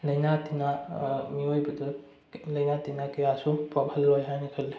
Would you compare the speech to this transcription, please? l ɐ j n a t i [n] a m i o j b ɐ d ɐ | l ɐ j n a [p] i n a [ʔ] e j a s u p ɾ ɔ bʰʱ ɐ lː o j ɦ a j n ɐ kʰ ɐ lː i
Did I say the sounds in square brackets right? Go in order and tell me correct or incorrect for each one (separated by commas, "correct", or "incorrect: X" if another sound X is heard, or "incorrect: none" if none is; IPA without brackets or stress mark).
correct, incorrect: t, incorrect: k